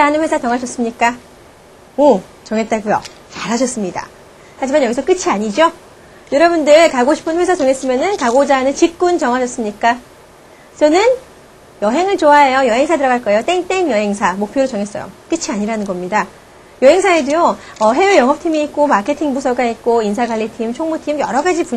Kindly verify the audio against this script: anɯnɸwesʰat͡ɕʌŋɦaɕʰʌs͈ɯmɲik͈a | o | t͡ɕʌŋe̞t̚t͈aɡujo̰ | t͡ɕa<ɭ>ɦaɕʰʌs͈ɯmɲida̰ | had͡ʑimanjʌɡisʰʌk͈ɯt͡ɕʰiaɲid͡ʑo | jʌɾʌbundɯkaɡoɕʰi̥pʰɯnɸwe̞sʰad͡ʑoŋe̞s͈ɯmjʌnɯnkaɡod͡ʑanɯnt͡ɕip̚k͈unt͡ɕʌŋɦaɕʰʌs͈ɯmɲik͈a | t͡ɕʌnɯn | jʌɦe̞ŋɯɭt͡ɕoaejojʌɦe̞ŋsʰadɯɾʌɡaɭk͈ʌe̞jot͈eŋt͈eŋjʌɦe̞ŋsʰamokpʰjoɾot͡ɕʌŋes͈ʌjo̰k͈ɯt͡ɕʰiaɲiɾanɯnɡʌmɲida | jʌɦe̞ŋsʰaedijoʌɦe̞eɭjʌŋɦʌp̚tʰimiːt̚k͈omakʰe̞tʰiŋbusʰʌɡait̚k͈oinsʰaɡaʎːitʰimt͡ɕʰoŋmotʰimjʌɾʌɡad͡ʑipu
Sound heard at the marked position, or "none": ɾ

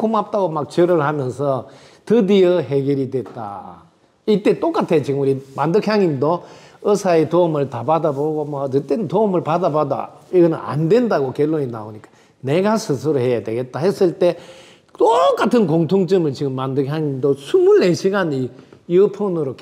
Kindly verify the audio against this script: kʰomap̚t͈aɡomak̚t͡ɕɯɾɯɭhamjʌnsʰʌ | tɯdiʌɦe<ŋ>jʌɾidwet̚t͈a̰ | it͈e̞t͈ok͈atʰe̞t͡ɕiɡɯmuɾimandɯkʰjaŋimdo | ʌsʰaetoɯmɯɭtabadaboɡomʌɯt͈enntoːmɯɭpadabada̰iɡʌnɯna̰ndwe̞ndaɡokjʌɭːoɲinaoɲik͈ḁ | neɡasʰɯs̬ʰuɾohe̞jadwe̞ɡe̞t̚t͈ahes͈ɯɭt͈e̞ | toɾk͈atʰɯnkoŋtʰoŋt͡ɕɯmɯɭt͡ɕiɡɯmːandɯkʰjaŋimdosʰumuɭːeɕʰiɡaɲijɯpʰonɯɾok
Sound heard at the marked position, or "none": ɡ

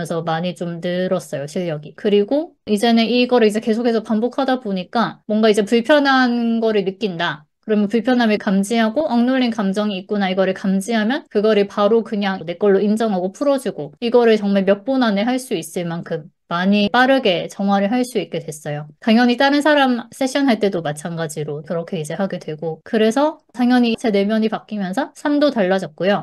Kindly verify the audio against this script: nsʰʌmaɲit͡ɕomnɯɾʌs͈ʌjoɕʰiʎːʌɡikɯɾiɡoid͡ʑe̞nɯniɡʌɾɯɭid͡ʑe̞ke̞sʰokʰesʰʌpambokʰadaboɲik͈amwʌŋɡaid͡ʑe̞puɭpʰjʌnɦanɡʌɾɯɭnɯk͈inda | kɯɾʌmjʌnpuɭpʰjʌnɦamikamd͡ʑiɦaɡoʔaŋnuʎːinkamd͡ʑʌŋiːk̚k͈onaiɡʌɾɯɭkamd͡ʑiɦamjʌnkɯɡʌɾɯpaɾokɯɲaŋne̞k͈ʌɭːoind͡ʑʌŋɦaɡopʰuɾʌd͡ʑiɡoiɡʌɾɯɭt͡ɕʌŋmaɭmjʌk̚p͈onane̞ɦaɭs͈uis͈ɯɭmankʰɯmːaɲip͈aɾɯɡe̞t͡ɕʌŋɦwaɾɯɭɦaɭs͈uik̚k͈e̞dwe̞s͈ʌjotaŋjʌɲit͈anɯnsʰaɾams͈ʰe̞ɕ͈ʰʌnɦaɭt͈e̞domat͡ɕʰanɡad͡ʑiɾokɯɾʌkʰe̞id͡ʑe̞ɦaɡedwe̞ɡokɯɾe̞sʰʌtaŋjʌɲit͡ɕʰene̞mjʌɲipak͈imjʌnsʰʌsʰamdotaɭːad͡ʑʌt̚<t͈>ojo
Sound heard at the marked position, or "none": k͈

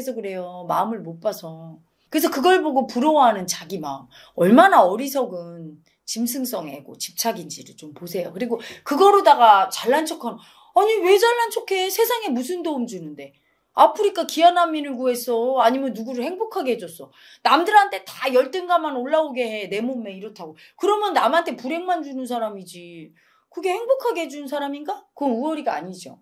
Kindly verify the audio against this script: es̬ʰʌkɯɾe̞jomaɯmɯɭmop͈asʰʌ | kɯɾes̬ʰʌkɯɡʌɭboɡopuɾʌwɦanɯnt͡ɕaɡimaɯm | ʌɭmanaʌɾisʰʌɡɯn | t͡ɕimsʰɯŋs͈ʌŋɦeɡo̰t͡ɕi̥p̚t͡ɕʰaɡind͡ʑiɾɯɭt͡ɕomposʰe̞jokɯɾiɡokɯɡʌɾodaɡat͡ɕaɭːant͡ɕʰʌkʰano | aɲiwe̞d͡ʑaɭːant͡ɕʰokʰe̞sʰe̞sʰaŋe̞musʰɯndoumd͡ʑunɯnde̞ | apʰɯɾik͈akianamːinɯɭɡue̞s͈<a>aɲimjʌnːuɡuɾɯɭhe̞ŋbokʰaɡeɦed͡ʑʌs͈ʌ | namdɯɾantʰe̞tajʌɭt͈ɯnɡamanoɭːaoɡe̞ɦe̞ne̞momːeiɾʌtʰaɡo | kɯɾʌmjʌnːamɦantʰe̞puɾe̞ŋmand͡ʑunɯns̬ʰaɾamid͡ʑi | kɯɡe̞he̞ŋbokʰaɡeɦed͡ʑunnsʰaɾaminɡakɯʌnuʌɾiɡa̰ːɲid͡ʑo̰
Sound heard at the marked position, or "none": ʌ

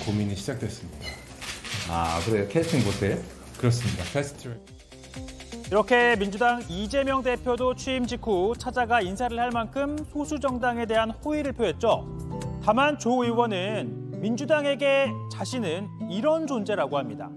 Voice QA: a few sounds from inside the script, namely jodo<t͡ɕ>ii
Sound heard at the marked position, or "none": t͡ɕʰ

